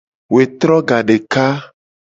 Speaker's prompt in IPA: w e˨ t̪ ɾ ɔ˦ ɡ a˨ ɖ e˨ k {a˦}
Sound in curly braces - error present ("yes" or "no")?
no